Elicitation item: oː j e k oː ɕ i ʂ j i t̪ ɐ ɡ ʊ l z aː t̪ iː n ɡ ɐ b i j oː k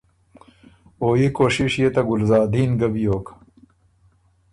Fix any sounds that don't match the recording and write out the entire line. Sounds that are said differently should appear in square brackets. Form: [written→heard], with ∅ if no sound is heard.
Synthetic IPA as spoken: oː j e k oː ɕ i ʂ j [i→e] t̪ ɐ ɡ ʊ l z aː [t̪→d̪] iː n ɡ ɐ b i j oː k